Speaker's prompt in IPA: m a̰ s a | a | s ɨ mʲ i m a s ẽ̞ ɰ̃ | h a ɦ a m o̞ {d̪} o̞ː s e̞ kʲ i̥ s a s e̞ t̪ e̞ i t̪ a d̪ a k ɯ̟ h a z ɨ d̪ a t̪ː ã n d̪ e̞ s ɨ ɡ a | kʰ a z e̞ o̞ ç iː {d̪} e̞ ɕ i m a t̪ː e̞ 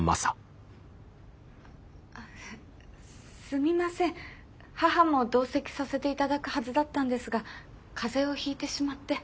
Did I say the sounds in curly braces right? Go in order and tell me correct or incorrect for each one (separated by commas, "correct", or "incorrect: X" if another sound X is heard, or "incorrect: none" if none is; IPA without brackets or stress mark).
correct, incorrect: t̪